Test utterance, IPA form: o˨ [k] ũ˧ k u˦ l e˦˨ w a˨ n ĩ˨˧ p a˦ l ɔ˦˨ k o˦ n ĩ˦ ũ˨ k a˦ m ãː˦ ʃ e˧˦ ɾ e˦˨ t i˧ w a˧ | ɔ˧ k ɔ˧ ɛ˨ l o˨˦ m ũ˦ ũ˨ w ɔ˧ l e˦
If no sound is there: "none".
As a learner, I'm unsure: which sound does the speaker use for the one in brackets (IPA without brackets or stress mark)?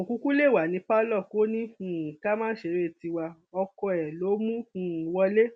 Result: k